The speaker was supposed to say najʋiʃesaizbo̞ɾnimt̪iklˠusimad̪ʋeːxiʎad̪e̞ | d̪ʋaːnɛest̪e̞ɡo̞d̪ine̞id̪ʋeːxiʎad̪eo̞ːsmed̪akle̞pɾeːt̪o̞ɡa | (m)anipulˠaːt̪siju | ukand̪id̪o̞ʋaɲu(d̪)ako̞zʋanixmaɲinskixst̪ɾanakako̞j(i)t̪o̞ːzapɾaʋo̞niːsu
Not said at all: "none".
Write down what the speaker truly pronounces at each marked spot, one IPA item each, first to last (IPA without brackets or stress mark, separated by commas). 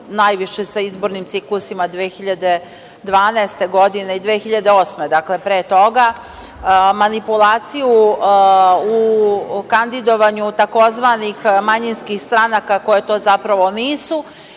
m, t̪, e